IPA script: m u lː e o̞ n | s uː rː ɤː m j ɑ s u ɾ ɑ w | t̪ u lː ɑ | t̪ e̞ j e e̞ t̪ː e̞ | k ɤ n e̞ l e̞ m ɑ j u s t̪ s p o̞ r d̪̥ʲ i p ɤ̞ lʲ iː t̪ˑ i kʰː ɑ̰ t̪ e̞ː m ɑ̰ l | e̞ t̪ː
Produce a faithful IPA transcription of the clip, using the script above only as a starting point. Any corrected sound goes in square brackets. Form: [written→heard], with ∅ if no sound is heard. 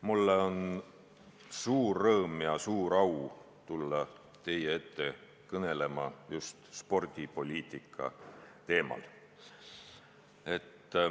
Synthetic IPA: m u lː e o̞ n | s uː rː ɤː m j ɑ s [u→uː] ɾ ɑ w | t̪ u lː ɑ | t̪ e̞ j e e̞ t̪ː e̞ | k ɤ n e̞ l e̞ m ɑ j u s t̪ s p o̞ r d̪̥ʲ i p [ɤ̞→o̞] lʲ iː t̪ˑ i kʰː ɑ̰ t̪ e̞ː m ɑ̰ l | e̞ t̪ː